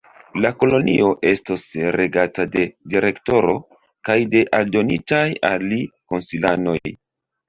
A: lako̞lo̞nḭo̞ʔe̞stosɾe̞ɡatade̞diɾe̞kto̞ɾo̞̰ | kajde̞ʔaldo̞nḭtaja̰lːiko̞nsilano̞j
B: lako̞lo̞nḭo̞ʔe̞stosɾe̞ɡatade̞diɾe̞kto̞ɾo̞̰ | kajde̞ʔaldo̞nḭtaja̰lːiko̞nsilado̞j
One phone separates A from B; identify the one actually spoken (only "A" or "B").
A